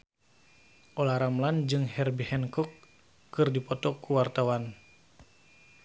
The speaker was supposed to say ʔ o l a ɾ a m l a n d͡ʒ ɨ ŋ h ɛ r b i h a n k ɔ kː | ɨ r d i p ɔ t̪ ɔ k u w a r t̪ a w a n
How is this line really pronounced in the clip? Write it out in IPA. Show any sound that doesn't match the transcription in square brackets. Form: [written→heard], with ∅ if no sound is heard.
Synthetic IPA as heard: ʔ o l a ɾ a m l a n d͡ʒ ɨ ŋ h ɛ r b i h [a→ɛ] n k ɔ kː | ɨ r d i p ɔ t̪ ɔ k u w a r t̪ a w a n